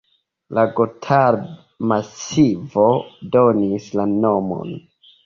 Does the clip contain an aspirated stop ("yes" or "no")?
yes